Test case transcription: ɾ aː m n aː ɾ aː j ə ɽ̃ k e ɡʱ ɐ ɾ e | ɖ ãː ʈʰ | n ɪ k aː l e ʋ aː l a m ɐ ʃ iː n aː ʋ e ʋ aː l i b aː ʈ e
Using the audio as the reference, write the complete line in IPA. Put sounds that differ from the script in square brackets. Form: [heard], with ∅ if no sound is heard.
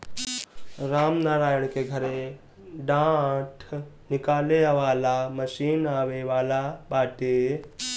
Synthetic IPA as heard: ɾ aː m n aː ɾ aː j ə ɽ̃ k e ɡʱ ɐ ɾ e | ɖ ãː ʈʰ | n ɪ k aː l e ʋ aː l a m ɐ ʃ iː n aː ʋ e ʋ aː l [a] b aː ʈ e